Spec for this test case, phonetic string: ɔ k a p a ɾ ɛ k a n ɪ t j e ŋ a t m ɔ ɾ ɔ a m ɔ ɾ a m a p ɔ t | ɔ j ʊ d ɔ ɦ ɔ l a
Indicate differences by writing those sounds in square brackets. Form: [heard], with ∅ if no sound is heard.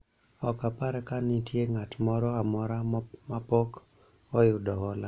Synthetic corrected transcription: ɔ k a p a ɾ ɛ k a n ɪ t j e ŋ a t m ɔ ɾ ɔ a m ɔ ɾ a m a p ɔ [k] | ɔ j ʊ d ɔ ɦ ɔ l a